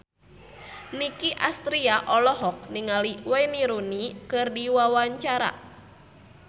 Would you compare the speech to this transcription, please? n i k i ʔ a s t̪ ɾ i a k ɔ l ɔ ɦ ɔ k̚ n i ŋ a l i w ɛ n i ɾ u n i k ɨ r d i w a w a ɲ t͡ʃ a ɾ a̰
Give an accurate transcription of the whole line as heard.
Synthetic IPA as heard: n i k i ʔ a s t̪ ɾ i a ʔ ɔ l ɔ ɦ ɔ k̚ n i ŋ a l i w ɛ n i ɾ u n i k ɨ r d i w a w a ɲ t͡ʃ a ɾ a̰